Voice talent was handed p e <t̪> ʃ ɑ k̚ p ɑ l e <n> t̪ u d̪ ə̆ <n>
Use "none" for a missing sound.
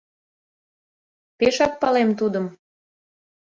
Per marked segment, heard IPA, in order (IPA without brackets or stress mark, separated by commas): none, m, m